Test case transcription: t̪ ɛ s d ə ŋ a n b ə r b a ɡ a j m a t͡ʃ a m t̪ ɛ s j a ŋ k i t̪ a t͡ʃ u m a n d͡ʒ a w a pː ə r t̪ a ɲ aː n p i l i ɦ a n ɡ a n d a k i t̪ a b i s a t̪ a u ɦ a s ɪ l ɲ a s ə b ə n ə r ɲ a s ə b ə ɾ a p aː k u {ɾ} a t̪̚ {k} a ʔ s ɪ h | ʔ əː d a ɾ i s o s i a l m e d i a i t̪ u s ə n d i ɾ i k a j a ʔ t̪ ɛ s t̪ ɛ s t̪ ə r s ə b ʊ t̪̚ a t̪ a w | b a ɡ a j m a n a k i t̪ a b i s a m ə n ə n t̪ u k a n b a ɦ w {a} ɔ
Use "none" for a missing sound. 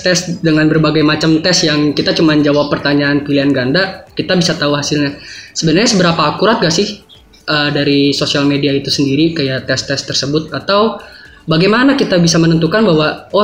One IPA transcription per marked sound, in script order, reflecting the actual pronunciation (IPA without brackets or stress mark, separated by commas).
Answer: ɾ, ɡ, a